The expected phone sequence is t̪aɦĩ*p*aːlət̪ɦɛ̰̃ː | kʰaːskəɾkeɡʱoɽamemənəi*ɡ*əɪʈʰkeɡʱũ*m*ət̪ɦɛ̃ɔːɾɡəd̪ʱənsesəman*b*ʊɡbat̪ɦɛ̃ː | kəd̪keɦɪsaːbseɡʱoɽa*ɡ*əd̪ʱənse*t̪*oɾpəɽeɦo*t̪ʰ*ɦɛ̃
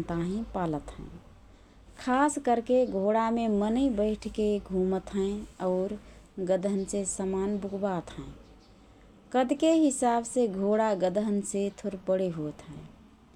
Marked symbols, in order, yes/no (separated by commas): yes, no, yes, yes, yes, no, no